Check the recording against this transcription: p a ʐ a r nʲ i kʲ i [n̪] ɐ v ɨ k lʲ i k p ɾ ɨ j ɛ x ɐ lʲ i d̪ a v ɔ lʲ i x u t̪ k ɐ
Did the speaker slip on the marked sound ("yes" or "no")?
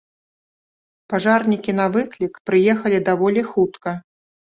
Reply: no